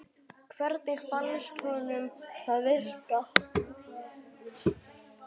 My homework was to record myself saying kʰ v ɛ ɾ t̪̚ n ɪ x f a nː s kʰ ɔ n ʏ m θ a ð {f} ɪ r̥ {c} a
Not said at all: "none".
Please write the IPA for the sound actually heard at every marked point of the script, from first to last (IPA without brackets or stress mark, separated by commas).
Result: v, k